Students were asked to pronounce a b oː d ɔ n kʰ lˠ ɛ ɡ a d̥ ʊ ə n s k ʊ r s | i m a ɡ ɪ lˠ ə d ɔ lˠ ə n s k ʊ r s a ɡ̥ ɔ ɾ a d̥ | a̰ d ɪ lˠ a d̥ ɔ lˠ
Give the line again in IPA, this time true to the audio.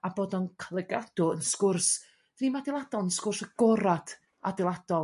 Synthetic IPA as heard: a b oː d ɔ n kʰ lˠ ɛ ɡ a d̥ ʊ ə n s k ʊ r s | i m a d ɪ lˠ a d ɔ lˠ ə n s k ʊ r s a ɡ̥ ɔ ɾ a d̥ | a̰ d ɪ lˠ a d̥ ɔ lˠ